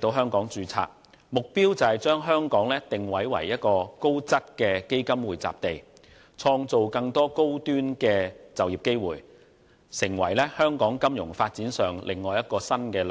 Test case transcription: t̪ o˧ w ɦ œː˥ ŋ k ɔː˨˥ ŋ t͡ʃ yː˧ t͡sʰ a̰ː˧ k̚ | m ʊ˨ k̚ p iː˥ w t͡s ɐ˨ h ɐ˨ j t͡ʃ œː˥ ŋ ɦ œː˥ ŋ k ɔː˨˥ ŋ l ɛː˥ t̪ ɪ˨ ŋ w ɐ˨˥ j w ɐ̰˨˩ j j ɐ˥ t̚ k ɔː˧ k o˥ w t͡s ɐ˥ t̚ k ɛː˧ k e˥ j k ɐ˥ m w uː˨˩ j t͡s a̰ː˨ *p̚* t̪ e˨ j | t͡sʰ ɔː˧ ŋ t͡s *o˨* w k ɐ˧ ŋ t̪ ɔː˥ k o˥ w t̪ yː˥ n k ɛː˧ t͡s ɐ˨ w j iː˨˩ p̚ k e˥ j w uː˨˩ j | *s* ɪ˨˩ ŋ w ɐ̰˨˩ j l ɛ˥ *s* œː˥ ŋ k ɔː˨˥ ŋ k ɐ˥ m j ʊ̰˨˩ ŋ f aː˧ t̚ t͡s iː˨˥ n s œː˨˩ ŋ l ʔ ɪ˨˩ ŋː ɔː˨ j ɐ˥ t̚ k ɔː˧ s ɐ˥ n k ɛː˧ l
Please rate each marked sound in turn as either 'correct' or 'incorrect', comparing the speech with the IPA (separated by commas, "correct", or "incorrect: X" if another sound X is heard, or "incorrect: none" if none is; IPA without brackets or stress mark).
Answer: correct, correct, correct, incorrect: h